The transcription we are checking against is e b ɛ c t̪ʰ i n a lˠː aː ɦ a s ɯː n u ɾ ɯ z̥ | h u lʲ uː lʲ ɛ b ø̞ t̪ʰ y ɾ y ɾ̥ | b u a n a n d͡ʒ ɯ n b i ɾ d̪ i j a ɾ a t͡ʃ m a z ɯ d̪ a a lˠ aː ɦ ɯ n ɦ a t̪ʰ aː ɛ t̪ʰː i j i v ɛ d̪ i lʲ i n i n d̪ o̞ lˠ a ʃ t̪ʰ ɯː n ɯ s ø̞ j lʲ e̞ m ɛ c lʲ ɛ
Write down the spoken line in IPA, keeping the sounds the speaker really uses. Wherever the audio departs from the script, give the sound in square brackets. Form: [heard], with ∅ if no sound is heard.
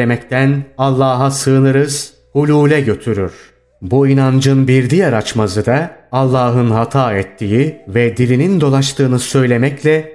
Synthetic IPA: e [m] ɛ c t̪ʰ [æ] n a lˠː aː ɦ a s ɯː n [ɯ] ɾ ɯ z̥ | h u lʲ uː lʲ ɛ [ɟ] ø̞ t̪ʰ y ɾ y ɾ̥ | b u [i] n a n d͡ʒ ɯ n b i ɾ d̪ i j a ɾ a t͡ʃ m a z ɯ d̪ a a [lˠː] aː ɦ ɯ n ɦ a t̪ʰ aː ɛ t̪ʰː i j i v ɛ d̪ i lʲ i n i n d̪ o̞ lˠ a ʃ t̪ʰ ɯː n ɯ s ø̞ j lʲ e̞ m ɛ c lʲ ɛ